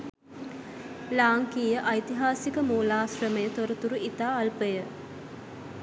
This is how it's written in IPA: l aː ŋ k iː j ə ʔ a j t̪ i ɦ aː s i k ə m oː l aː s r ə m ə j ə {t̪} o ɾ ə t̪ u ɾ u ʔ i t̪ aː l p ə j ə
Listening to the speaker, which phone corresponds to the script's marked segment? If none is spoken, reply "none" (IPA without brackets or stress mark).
t̪